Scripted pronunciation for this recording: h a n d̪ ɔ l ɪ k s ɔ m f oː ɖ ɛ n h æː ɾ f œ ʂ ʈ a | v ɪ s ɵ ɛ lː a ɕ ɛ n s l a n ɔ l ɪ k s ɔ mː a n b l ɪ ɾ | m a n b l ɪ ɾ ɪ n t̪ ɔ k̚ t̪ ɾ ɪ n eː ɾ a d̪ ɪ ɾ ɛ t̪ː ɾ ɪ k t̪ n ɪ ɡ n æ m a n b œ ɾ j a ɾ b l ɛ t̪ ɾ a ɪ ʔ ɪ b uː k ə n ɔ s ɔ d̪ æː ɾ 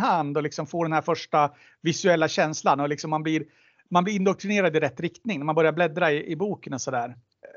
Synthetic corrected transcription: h a n d̪ ɔ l ɪ k s ɔ m f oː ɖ ɛ n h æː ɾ f œ ʂ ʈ a | v ɪ s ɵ ɛ lː a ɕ ɛ n s l a n ɔ l ɪ k s ɔ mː a n b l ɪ ɾ | m a n b l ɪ ɾ ɪ n d̪ ɔ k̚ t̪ ɾ ɪ n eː ɾ a d̪ ɪ ɾ ɛ t̪ː ɾ ɪ k t̪ n ɪ ŋ n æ m a n b œ ɾ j a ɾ b l ɛ d̪ ɾ a ɪ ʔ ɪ b uː k ə n ɔ s ɔ d̪ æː ɾ